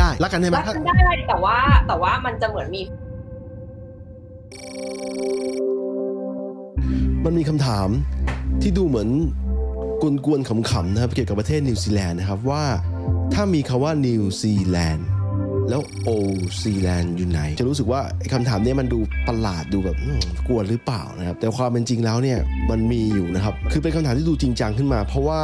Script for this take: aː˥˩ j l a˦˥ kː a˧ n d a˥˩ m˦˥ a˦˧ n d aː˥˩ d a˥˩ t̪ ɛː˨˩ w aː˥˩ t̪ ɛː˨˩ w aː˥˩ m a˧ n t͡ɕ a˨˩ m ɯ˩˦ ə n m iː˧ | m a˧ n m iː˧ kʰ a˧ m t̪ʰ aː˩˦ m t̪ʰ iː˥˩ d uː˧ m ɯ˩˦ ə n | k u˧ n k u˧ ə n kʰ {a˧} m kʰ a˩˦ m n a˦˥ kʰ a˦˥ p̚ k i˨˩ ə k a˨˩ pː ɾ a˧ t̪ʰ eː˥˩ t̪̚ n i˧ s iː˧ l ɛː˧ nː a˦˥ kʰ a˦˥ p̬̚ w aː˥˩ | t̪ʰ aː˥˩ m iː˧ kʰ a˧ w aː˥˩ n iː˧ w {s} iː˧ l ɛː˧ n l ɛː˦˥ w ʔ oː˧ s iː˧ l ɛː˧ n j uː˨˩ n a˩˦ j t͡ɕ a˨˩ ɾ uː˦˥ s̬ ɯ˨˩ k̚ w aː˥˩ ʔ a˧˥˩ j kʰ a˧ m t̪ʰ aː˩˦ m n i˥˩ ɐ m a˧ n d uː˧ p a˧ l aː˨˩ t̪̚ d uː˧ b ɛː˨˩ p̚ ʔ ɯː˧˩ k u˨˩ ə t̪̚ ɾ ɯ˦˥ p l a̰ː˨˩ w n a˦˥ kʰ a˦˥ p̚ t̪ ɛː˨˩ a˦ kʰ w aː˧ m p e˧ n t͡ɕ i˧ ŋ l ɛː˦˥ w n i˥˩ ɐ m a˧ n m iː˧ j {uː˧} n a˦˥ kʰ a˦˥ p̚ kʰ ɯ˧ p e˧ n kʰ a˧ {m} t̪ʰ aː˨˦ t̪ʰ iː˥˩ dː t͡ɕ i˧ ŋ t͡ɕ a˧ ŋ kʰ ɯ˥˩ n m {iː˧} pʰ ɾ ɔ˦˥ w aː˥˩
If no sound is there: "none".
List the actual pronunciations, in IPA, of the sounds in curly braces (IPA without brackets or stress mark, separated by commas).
a˩˦, s, uː˨˩, m, aː˧